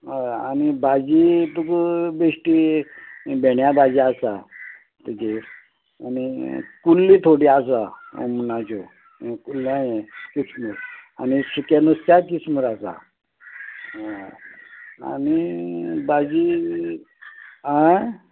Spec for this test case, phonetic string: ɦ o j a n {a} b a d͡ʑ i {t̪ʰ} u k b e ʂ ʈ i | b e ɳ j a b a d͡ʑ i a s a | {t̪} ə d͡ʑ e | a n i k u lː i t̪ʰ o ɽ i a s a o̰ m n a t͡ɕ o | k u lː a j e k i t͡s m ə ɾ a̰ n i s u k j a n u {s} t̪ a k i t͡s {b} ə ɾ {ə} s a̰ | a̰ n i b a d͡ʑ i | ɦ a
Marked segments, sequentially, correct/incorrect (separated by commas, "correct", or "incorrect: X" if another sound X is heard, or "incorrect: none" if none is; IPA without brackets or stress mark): incorrect: i, incorrect: t̪, correct, correct, incorrect: m, incorrect: a